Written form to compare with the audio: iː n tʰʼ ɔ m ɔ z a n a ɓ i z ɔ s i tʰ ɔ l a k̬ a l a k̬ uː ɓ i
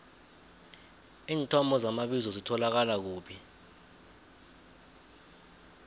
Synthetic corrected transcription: iː n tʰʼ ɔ m ɔ z a m a ɓ i z ɔ z i tʰ ɔ l a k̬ a l a k̬ uː ɓ i